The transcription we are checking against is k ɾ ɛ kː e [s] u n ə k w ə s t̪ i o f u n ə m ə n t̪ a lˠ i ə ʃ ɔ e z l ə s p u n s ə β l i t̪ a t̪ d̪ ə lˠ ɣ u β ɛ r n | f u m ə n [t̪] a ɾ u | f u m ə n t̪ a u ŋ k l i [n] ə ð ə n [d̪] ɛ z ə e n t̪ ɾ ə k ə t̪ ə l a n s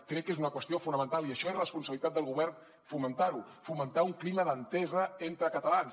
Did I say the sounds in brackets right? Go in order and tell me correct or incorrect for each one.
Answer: incorrect: z, correct, incorrect: m, incorrect: t̪

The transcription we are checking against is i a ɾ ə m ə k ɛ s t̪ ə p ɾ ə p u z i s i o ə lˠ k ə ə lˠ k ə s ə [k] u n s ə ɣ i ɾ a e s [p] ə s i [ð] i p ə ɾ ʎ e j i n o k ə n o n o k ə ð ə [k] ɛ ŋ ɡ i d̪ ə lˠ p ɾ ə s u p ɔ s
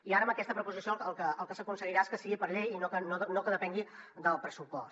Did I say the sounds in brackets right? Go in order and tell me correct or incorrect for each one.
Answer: correct, incorrect: k, incorrect: ɣ, incorrect: p

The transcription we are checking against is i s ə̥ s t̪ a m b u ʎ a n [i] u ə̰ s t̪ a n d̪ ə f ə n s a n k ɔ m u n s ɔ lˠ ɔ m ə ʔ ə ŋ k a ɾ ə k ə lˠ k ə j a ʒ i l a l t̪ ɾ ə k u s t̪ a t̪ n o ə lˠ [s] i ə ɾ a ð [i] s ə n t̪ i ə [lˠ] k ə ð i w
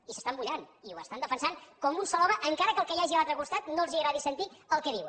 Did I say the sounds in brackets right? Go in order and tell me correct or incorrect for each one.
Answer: correct, incorrect: z, correct, correct

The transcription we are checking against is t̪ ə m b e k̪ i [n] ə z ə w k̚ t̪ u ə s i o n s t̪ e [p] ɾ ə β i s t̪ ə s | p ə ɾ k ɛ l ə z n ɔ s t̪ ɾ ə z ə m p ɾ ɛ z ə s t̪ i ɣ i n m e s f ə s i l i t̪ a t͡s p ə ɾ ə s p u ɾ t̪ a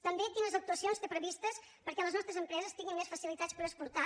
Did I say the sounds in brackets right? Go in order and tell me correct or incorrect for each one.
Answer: correct, correct

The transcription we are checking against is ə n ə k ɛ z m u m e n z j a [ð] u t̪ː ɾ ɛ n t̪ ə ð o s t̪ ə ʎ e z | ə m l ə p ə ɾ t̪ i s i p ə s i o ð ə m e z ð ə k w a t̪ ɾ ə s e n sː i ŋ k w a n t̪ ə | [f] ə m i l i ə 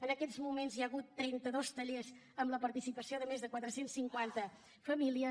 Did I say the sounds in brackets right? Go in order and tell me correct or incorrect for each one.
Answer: incorrect: ɣ, correct

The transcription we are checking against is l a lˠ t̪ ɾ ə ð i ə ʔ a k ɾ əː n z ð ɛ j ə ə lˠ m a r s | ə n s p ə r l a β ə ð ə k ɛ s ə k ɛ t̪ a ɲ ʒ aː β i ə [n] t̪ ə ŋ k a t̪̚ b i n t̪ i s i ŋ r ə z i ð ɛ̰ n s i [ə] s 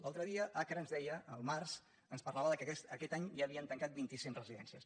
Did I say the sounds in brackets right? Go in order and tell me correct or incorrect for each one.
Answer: correct, correct

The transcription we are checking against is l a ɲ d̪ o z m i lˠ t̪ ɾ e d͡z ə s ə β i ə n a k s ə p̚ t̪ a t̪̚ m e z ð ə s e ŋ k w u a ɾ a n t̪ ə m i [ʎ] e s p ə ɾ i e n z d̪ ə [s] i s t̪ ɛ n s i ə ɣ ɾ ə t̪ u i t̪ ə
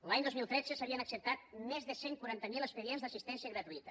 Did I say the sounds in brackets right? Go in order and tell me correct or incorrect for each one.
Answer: incorrect: l, correct

